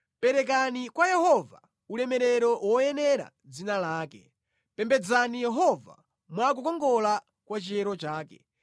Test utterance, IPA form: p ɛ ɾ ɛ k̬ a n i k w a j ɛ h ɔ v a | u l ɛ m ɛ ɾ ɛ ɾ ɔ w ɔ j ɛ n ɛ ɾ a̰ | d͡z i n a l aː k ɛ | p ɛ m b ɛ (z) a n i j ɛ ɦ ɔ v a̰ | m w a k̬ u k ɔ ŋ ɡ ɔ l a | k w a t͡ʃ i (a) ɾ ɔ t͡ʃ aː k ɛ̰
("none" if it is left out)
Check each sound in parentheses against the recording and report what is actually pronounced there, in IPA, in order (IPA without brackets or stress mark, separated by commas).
d͡z, ɛ